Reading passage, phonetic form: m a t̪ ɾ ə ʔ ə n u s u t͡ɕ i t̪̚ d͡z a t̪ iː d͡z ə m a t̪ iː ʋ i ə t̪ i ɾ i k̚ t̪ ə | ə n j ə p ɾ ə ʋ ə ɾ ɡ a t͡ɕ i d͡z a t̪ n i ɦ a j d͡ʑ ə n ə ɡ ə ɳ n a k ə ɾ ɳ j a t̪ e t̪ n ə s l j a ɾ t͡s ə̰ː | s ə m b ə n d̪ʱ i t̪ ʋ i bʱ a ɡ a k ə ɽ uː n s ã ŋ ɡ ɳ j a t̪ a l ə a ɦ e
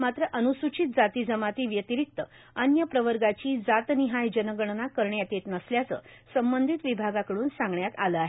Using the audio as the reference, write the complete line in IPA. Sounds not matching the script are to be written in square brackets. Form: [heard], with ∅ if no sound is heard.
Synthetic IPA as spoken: m a t̪ ɾ ə ʔ ə n u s u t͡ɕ i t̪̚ d͡z a t̪ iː d͡z ə m a t̪ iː ʋ [j] ə t̪ i ɾ i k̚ t̪ ə | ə n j ə p ɾ ə ʋ ə ɾ ɡ a t͡ɕ [iː] d͡z a t̪ n i ɦ a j d͡ʑ ə n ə ɡ ə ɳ n a k ə ɾ ɳ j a t̪ e t̪ n ə s l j a [∅] t͡s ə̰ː | s ə m b ə n d̪ʱ i t̪ ʋ i bʱ a ɡ a k ə ɽ uː n s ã ŋ ɡ ɳ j a t̪ a l ə a ɦ e